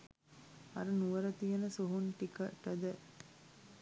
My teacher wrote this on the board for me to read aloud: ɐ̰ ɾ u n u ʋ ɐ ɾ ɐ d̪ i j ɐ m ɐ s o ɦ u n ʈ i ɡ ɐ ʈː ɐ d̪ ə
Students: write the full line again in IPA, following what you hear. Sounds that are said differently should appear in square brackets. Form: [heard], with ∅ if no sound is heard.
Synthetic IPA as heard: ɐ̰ ɾ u n u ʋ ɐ ɾ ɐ [t̪] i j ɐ [n] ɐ s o ɦ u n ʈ i [k] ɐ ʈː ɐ d̪ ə